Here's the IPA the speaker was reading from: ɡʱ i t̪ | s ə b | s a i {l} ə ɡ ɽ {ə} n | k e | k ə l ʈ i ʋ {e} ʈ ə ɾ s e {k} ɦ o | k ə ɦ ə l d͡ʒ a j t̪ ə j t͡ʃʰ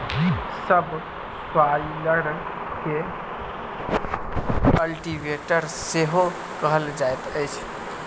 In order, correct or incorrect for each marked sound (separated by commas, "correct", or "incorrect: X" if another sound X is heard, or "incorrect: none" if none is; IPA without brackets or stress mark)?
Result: correct, correct, correct, incorrect: none